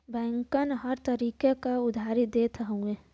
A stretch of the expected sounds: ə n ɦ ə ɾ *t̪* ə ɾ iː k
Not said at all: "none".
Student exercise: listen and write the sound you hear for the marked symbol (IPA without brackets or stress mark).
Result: t̪